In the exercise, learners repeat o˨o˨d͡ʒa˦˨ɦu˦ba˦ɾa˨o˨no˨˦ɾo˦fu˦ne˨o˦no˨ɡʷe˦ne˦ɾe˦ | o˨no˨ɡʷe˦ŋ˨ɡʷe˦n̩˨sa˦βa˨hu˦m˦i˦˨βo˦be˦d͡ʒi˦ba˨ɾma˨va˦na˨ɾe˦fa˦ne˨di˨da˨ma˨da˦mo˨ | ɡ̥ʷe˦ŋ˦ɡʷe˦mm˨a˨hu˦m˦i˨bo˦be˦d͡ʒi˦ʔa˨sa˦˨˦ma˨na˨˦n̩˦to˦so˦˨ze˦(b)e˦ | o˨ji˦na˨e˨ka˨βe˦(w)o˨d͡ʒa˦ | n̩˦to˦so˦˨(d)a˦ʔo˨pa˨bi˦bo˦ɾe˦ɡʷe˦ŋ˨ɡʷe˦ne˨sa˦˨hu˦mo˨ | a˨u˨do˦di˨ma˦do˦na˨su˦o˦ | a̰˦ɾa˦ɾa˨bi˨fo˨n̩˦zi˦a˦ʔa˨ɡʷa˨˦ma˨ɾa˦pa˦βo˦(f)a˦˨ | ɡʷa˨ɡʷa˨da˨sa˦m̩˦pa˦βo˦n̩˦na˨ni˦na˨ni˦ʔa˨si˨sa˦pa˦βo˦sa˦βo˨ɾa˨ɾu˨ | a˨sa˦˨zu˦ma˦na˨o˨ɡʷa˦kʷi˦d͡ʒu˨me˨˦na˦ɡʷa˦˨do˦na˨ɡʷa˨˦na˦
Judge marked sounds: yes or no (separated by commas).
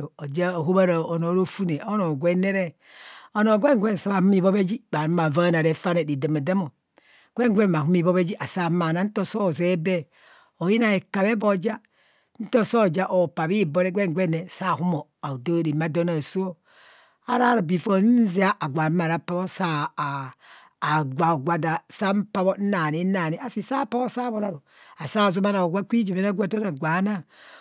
yes, no, no, no